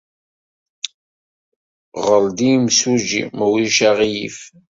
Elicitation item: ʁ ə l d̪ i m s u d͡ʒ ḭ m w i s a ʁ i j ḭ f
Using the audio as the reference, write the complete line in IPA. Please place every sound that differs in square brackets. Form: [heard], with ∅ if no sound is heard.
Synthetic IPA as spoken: ʁ ə l d̪ i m s u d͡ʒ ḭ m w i [ʃ] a ʁ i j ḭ f